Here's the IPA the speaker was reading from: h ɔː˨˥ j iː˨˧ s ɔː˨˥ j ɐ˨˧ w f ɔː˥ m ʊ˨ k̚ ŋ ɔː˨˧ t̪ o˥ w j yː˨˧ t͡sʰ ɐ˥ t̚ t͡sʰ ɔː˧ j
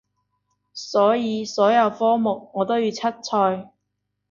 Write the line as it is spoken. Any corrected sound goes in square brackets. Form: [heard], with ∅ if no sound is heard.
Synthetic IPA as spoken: [s] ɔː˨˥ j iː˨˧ s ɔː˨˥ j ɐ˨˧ w f ɔː˥ m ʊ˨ k̚ ŋ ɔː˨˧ t̪ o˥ w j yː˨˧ t͡sʰ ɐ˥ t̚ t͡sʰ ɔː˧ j